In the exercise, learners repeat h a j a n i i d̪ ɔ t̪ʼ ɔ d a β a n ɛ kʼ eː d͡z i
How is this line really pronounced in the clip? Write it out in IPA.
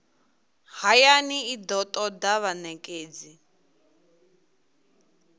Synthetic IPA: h a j a n i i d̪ ɔ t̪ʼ ɔ d a β a n ɛ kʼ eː d͡z i